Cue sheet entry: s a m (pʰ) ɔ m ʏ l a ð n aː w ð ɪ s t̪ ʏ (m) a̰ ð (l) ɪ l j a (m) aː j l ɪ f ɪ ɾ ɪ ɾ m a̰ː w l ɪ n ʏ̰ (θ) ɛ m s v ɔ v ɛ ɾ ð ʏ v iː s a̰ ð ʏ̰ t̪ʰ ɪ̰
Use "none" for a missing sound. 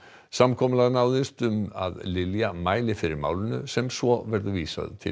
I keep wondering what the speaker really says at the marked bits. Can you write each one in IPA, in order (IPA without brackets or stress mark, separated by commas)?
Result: kʰ, m, l, m, s